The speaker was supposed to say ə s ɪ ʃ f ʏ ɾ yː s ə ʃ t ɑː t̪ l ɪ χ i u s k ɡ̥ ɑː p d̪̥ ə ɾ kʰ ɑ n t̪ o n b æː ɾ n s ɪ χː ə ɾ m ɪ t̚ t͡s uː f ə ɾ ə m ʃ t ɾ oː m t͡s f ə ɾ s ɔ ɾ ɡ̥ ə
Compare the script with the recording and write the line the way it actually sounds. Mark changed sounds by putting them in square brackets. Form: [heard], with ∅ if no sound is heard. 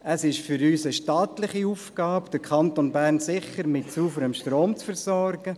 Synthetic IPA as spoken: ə s ɪ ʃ f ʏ ɾ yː s ə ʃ t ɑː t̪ l ɪ χ i u [f] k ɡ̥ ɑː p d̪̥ ə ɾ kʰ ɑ n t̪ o n b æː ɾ n s ɪ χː ə ɾ m ɪ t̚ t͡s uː f ə ɾ ə m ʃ t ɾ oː m t͡s f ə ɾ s ɔ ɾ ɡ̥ ə